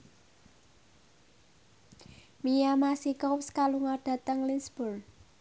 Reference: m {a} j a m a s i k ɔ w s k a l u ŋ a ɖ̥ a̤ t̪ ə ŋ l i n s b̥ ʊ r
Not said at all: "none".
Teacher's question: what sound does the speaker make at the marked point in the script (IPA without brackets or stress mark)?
i